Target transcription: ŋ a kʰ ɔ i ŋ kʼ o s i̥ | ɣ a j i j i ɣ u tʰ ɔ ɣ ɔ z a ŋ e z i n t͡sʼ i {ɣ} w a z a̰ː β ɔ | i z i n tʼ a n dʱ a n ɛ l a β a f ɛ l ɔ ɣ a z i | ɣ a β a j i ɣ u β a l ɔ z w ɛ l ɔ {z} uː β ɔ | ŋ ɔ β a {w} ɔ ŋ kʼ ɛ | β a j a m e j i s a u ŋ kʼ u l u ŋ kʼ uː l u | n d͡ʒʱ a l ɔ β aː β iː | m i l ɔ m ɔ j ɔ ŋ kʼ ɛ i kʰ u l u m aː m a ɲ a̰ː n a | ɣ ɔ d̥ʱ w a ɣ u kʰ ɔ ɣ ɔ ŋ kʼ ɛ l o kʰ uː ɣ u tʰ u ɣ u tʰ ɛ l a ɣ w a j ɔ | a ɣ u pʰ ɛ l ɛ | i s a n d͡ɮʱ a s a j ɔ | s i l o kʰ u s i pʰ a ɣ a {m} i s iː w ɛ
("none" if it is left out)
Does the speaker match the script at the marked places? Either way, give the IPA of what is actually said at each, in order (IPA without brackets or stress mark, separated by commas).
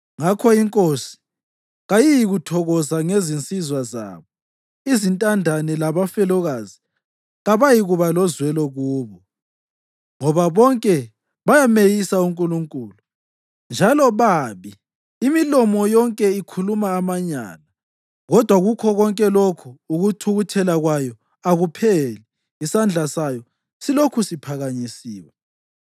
z, ɣ, β, ɲ